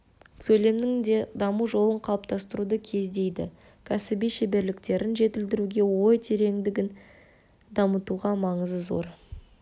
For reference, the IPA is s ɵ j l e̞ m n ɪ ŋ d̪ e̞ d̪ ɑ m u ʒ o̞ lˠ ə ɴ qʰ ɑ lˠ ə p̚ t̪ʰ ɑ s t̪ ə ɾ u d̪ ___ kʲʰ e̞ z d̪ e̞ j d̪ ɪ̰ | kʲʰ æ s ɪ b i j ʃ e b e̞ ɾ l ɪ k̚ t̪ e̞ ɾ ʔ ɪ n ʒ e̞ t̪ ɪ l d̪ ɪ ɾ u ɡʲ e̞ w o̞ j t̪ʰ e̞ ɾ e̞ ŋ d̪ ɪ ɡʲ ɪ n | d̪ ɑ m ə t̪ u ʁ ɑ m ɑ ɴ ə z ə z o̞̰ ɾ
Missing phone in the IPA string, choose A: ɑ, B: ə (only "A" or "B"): B